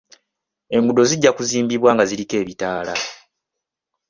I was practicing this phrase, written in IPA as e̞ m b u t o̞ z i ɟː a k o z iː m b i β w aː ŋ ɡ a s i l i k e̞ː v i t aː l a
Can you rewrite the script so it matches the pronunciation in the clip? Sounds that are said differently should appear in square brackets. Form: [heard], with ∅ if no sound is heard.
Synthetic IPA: e̞ m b u [d] o̞ z i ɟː a k [u] z iː m b i β w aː ŋ ɡ a [z] i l i k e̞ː [β] i t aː l a